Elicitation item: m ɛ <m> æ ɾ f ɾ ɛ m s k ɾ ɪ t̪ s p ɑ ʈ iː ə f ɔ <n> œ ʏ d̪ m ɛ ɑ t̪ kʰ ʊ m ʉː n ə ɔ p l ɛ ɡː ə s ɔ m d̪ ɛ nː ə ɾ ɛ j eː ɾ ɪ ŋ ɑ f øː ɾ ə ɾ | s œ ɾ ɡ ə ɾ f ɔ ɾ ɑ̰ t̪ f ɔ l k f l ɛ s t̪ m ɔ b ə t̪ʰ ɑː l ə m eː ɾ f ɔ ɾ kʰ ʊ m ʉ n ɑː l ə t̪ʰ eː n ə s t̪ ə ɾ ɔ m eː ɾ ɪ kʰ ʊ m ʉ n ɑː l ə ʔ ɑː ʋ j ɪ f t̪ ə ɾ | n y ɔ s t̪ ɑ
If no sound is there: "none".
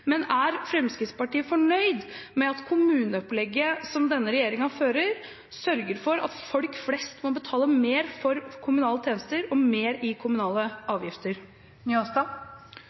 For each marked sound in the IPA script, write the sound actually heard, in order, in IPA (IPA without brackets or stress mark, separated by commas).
n, ɳ